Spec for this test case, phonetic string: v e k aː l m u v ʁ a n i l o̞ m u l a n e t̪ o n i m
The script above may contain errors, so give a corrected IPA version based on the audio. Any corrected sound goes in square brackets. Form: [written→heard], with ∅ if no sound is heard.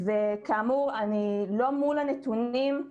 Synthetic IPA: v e k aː [l→∅] m u [v→∅] ʁ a n i l o̞ m u l a n e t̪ [o→u] n i m

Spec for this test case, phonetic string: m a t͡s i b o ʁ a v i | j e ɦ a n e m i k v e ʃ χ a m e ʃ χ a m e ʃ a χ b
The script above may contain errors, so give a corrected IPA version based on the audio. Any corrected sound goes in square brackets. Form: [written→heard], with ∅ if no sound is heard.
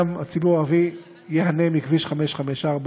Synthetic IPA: m a t͡s i b [o→u] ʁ a v i | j e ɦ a n e m i k v [e→i] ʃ χ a m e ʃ χ a m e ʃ a [χ→ʁ] b

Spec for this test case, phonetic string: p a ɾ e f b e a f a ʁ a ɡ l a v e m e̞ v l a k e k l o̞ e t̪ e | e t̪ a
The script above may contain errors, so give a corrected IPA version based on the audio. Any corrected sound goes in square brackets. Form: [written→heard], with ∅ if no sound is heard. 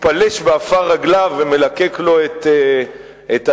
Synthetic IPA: p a [ɾ→l] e [f→ʃ] b e a f a ʁ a ɡ l a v e m e̞ [v→∅] l a k e k l o̞ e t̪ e | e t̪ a

